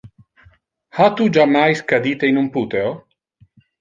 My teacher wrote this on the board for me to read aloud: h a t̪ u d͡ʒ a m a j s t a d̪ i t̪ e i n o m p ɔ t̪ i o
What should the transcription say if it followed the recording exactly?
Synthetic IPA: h a t̪ u d͡ʒ a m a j s k a d̪ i t̪ e i n u m p u t̪ e o

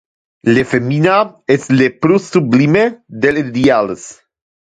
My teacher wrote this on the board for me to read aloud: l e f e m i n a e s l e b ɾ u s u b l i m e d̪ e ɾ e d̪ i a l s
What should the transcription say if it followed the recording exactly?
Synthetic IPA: l e f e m i n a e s l e p ɾ u s u b l i m e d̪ e l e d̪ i a l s

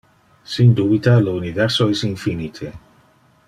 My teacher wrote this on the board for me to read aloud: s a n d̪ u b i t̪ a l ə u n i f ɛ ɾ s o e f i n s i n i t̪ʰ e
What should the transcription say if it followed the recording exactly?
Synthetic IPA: s i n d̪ u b i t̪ a l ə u n i v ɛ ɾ s o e s i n f i n i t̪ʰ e

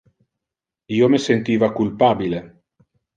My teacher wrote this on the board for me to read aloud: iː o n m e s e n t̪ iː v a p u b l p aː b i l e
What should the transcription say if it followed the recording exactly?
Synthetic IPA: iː o m e s e n t̪ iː v a k u l p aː b i l e

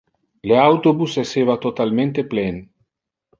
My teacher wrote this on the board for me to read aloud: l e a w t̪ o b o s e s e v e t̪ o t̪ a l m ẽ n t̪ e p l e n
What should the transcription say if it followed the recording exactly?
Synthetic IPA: l e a w t̪ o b u s e s e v a t̪ o t̪ a l m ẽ n t̪ e p l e n

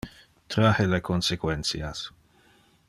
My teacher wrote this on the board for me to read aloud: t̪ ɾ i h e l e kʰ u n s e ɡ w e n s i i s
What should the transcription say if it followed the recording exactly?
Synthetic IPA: t̪ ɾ a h e l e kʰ o n s e k w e n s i a s

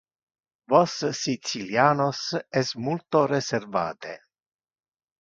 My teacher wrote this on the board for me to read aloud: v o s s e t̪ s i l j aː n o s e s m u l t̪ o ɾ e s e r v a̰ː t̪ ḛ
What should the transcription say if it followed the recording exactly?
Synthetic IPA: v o s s i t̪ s i l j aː n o s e s m u l t̪ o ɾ e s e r v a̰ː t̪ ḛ

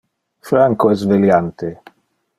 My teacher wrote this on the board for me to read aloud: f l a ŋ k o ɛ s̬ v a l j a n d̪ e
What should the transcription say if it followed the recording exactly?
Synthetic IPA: f ɾ a ŋ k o ɛ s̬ v e l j a n t̪ e

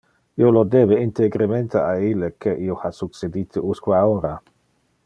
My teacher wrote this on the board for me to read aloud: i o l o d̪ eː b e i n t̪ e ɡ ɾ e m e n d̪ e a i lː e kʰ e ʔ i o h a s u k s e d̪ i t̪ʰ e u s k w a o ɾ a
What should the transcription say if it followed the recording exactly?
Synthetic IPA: i o l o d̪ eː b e i n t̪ e ɡ ɾ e m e n t̪ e a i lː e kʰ e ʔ i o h a s u k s e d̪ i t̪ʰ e u s k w a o ɾ a

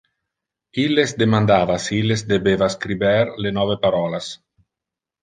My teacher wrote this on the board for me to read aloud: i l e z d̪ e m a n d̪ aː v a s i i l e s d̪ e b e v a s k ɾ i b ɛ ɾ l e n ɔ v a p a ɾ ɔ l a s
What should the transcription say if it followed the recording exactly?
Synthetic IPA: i l e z d̪ e m a n d̪ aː v a s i i l e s d̪ e b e v a s k ɾ i b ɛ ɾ l e n ɔ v e p a ɾ ɔ l a s

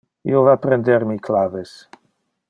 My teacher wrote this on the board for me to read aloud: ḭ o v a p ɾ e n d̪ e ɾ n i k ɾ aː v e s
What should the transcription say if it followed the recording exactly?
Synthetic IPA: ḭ o v a p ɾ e n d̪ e ɾ m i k l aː v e s

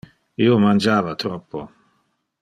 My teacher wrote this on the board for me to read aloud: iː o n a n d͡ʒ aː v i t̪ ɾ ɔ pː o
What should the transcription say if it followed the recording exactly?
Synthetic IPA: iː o m a n d͡ʒ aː v a t̪ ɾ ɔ pː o

